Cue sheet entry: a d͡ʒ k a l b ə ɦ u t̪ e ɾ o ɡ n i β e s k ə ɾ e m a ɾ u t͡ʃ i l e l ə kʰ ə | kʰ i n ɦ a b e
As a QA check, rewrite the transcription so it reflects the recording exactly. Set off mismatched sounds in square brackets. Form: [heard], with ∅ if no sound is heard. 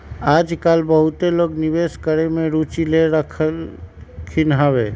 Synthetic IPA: a d͡ʒ k a l b ə ɦ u t̪ e [l] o ɡ n i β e s k ə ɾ e m [e] ɾ u t͡ʃ i l e [ɾ] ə kʰ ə | kʰ i n ɦ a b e